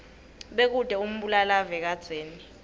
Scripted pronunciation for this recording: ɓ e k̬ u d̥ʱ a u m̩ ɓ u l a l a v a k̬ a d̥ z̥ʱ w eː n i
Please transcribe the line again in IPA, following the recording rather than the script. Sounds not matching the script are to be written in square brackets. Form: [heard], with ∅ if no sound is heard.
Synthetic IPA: ɓ e k̬ u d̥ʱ [ɛ] u m̩ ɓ u l a l a v [ɛ] k̬ a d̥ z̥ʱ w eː n i